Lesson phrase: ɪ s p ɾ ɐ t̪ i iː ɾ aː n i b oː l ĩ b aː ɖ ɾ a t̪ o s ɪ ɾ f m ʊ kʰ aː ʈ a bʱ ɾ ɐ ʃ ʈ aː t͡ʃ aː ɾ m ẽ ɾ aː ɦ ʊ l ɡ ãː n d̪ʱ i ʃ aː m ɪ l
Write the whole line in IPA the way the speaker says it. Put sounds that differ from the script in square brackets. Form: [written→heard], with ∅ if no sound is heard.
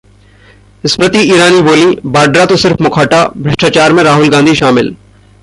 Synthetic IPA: ɪ s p ɾ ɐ t̪ i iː ɾ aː n i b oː l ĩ b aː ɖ ɾ a t̪ o s ɪ ɾ f m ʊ kʰ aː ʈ a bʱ ɾ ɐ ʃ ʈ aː t͡ʃ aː ɾ m ẽ ɾ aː ɦ ʊ l ɡ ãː n d̪ʱ i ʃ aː m ɪ l